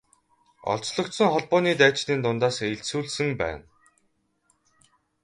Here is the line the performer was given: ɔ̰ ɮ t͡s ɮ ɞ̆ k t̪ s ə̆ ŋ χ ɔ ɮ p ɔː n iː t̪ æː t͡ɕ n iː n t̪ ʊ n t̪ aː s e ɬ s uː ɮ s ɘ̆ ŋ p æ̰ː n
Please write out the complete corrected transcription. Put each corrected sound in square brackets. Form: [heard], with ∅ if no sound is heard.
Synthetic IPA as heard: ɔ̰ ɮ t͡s ɮ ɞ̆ k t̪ s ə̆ ŋ χ ɔ ɮ p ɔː n iː t̪ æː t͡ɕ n iː n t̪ ʊ n t̪ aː s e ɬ s uː ɮ s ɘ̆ ŋ p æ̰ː n